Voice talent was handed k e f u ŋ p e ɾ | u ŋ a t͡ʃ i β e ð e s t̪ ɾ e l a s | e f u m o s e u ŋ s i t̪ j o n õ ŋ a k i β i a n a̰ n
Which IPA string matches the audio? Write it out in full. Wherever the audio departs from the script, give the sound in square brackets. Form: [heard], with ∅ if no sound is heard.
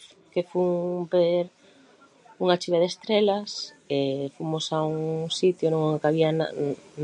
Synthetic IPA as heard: k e f u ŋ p e ɾ | u ŋ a t͡ʃ i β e ð e s t̪ ɾ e l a s | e f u m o s [a] u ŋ s i t̪ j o n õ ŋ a k [a] β i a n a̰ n